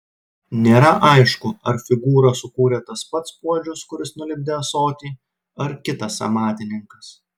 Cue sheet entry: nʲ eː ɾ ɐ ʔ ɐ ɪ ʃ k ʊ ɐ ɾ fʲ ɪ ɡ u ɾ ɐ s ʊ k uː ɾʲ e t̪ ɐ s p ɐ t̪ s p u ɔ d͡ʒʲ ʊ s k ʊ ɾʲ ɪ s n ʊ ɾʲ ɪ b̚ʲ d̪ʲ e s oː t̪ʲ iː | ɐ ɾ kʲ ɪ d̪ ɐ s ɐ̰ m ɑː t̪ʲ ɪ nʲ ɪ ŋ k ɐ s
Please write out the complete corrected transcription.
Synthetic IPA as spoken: nʲ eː ɾ ɐ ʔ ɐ ɪ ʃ k ʊ ɐ ɾ fʲ ɪ ɡ uː ɾ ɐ s ʊ k uː ɾʲ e t̪ ɐ s p ɐ t̪ s p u ɔ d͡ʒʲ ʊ s k ʊ ɾʲ ɪ s n ʊ lʲ ɪ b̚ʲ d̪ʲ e s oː t̪ʲ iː | ɐ ɾ kʲ ɪ t̪ ɐ s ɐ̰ m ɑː t̪ʲ ɪ nʲ ɪ ŋ k ɐ s